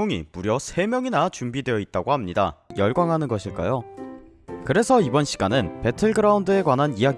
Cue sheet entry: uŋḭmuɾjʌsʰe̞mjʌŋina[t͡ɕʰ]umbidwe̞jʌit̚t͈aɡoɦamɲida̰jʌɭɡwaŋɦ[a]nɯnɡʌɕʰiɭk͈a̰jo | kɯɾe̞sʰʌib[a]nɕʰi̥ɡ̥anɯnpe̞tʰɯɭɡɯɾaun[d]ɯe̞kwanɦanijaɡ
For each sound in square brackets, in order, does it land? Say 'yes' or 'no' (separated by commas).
no, yes, no, yes